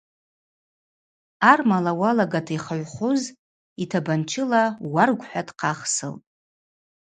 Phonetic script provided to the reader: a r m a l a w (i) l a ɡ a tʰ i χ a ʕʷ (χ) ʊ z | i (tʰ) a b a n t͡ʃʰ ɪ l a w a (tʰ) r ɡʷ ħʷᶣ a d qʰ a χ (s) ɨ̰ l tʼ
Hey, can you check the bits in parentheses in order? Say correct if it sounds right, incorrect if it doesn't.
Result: incorrect: a, correct, correct, incorrect: none, correct

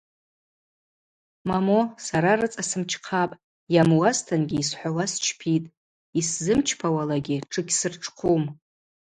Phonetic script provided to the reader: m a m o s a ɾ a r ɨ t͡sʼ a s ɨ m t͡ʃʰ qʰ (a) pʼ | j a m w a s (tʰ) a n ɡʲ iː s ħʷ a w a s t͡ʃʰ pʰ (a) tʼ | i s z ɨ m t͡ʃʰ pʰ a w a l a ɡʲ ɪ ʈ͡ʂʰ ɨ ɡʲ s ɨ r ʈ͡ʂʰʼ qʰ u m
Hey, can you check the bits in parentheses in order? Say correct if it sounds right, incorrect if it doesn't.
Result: correct, correct, incorrect: i

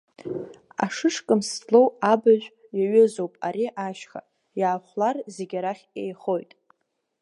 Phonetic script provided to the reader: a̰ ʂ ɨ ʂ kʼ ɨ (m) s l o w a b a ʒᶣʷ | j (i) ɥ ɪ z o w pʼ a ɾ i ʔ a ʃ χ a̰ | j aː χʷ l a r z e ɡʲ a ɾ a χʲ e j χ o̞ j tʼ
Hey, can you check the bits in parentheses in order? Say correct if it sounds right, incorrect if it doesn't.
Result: correct, incorrect: a

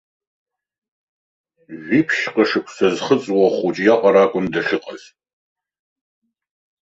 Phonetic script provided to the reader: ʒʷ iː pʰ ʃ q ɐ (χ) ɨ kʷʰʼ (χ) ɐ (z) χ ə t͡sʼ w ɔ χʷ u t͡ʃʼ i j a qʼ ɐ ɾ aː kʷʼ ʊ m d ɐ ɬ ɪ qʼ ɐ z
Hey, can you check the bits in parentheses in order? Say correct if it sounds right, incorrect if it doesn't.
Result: incorrect: ʂ, incorrect: s, correct

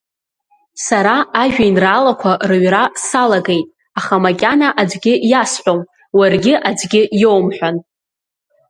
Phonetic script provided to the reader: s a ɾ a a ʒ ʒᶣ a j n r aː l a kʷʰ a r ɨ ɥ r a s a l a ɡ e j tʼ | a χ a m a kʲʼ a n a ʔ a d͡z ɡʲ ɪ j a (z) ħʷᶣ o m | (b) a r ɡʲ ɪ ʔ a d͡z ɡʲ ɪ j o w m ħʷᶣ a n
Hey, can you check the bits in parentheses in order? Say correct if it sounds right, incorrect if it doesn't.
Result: incorrect: s, incorrect: w

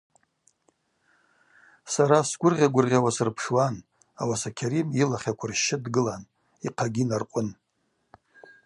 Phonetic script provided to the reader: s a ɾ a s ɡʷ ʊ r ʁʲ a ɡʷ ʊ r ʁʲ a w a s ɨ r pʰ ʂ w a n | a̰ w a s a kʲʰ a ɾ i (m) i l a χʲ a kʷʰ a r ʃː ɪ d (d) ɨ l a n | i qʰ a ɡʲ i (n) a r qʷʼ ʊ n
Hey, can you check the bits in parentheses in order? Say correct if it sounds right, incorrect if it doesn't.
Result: correct, incorrect: ɡ, correct

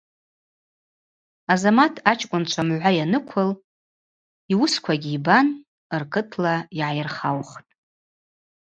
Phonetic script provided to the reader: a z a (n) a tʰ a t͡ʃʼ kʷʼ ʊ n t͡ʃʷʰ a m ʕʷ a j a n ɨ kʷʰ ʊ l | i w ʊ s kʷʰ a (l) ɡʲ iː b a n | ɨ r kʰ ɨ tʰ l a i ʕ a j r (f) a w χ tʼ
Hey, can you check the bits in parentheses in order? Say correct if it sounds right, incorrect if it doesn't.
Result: incorrect: m, incorrect: none, incorrect: χ

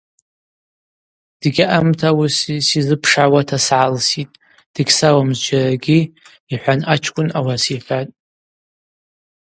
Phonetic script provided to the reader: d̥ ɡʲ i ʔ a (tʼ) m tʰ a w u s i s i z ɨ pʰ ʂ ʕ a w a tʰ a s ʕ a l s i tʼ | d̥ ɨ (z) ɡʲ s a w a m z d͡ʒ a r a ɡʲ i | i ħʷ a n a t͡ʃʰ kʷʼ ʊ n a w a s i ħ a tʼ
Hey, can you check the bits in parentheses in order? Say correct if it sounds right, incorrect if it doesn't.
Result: incorrect: none, incorrect: none

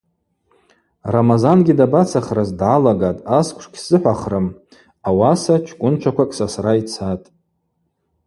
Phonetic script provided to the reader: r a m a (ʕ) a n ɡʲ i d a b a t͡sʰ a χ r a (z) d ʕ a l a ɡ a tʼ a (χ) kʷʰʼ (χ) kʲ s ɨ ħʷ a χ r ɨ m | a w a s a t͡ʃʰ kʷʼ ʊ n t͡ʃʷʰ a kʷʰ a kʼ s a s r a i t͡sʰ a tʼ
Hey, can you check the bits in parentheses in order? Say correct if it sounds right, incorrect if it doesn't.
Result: incorrect: z, correct, incorrect: s, incorrect: ʂ

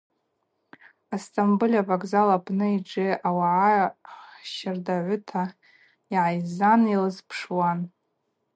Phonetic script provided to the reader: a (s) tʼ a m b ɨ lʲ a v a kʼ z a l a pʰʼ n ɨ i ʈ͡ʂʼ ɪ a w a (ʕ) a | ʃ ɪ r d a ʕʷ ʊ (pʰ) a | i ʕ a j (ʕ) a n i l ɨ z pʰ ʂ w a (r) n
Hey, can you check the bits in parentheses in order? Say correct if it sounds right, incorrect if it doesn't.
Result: correct, correct, incorrect: tʰ, incorrect: z, incorrect: none

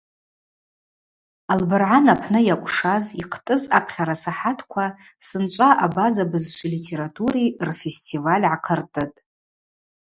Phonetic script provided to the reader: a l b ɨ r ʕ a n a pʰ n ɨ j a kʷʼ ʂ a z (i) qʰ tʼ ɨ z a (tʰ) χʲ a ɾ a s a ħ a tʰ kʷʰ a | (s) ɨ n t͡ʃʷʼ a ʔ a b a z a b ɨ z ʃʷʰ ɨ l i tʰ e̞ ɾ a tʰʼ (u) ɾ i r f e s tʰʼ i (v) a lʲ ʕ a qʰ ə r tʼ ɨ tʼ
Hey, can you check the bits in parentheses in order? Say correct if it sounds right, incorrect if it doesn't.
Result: correct, incorrect: pʰ, correct, correct, correct

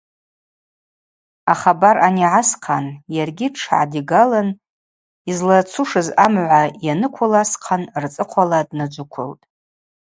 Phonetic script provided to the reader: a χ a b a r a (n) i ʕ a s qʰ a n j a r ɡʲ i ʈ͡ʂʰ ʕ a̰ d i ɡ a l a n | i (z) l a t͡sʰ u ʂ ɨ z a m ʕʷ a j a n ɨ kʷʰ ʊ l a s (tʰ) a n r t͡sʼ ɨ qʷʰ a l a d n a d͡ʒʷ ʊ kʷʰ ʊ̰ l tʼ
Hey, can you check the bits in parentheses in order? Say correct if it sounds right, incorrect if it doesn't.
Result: correct, correct, incorrect: qʰ

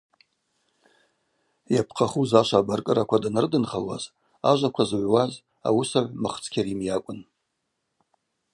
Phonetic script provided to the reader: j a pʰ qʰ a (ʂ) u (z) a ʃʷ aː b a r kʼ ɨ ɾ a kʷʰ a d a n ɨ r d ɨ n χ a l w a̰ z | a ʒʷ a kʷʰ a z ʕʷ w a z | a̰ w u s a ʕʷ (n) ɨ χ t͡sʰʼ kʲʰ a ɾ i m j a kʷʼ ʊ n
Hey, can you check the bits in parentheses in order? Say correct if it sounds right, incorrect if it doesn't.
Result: incorrect: χ, correct, incorrect: m

